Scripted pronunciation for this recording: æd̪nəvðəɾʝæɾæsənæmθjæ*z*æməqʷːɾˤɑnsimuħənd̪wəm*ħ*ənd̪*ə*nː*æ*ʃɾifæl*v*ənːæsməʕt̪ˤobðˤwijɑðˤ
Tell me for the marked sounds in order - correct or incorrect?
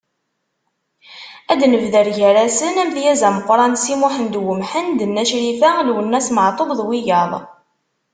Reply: correct, correct, correct, correct, incorrect

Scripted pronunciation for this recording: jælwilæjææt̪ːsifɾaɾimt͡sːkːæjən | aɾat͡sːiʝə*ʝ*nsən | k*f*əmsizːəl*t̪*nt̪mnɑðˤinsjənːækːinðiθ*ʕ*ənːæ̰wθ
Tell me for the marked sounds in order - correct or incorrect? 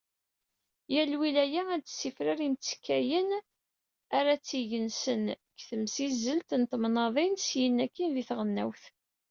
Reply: incorrect, incorrect, correct, incorrect

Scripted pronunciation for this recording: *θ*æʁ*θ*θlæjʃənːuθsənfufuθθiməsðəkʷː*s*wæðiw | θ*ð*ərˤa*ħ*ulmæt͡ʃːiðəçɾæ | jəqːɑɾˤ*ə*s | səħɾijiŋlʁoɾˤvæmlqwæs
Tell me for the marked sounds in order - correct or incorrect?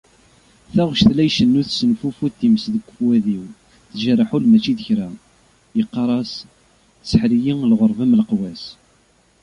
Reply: correct, incorrect, incorrect, incorrect, correct, incorrect

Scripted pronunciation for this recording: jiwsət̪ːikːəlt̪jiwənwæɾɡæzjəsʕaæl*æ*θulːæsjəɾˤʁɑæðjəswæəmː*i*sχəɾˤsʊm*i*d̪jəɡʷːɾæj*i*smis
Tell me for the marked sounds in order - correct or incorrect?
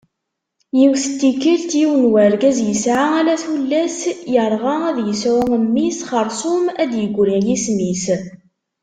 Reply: correct, correct, incorrect, correct

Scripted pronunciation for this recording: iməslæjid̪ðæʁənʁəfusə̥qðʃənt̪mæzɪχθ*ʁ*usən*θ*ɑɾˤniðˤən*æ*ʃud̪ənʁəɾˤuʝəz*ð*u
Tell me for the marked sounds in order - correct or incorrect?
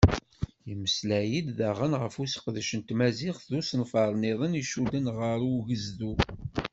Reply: incorrect, incorrect, incorrect, correct

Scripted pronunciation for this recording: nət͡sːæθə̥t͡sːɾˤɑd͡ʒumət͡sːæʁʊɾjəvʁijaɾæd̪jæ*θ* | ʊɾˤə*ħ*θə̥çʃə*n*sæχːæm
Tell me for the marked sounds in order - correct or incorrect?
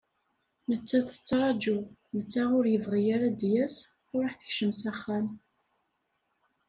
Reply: incorrect, correct, incorrect

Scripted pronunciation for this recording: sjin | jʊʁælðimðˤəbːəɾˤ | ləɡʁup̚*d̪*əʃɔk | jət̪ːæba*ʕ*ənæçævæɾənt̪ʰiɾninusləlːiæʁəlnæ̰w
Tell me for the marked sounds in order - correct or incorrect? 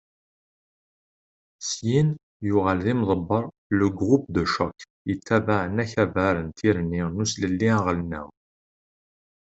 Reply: correct, correct

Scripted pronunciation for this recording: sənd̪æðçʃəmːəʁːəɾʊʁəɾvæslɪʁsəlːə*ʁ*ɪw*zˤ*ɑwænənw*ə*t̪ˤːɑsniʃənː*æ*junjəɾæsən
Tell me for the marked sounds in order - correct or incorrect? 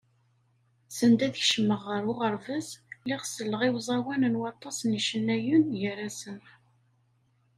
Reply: correct, correct, incorrect, correct

